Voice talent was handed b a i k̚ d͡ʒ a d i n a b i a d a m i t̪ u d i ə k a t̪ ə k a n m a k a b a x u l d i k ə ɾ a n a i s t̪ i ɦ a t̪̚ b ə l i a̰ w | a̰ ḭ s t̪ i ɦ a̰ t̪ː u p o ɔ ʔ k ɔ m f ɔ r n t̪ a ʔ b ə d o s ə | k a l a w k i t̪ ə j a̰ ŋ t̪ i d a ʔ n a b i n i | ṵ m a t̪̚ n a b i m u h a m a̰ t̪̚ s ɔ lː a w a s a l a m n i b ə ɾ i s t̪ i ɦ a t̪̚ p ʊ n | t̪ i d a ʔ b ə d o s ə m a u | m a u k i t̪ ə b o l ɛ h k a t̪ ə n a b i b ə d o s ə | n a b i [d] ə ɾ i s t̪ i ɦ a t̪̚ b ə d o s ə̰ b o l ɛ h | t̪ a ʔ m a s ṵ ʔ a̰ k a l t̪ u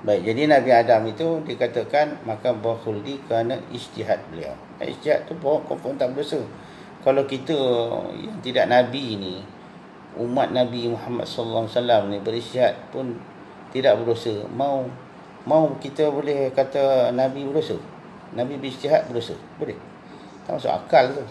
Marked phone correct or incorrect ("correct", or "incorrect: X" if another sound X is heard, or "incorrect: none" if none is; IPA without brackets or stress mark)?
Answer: incorrect: b